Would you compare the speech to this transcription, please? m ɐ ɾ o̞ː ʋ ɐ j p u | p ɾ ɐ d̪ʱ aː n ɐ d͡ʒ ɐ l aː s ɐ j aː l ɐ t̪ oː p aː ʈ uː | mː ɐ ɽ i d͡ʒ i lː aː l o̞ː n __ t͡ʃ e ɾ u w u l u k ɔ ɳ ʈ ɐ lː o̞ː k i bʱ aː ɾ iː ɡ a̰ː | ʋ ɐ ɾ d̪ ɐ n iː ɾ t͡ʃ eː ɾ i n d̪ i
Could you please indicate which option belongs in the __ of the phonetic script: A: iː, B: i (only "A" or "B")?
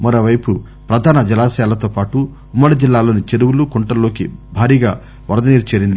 B